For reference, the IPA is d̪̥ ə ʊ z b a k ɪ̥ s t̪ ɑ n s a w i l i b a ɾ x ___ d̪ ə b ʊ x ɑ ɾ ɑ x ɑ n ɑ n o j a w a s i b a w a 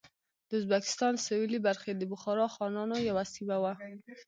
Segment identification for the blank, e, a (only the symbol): e